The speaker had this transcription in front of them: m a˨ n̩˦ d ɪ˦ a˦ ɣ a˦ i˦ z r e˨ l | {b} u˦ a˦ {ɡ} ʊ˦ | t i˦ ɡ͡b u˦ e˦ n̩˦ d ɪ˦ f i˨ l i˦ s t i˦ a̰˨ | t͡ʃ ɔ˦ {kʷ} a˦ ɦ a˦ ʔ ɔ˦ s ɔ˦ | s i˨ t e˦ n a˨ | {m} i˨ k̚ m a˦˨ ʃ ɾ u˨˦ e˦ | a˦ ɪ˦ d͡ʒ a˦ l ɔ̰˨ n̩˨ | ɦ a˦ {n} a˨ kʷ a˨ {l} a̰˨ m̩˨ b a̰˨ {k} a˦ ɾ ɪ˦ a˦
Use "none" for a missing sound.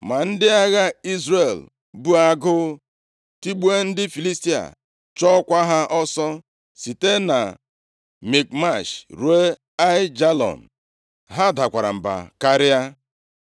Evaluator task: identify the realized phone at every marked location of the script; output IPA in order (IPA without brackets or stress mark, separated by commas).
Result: b, ɡ, kʷ, m, d, ɾ, k